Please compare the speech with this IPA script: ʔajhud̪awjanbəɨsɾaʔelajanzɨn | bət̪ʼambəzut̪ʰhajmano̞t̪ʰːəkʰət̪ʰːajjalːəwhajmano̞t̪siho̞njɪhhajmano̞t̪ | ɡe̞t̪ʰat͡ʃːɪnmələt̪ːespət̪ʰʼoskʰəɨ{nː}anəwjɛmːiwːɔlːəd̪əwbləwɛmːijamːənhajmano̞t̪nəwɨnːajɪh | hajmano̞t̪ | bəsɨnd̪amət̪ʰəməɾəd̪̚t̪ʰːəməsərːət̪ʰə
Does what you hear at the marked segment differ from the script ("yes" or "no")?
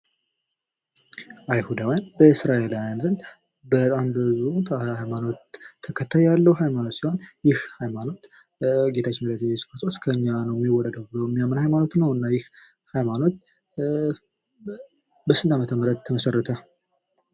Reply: yes